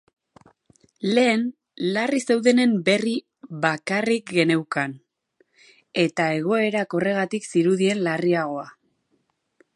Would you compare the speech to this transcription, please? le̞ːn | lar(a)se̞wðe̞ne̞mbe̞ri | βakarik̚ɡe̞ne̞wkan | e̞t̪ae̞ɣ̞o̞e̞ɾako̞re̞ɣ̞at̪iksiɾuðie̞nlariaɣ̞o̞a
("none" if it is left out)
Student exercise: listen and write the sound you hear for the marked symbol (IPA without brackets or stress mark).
i